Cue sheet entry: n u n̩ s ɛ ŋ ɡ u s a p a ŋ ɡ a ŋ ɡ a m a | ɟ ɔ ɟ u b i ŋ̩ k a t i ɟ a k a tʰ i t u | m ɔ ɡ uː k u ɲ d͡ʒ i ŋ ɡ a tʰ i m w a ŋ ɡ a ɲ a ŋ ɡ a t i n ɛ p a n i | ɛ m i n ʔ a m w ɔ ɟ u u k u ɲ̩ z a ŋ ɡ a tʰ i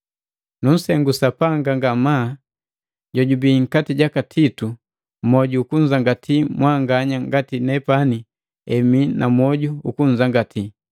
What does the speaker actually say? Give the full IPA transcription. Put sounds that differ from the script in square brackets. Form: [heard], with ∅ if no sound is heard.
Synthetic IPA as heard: n u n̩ s ɛ ŋ ɡ u s a p a ŋ ɡ a ŋ ɡ a m a | ɟ ɔ ɟ u b i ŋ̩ k a t i ɟ a k a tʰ i t u | m ɔ [ɟ] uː k u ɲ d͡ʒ [a] ŋ ɡ a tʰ i m w a ŋ ɡ a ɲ a ŋ ɡ a t i n ɛ p a n i | ɛ m i n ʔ a m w ɔ ɟ u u k u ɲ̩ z a ŋ ɡ a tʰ i